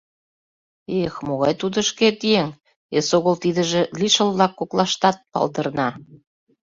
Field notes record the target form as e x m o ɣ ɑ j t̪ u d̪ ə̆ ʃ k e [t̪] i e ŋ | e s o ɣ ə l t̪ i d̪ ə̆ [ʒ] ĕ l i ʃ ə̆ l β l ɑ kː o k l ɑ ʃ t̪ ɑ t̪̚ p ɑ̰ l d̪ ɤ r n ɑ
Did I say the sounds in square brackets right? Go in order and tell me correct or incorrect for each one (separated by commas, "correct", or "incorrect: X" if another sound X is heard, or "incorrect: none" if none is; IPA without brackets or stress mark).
correct, correct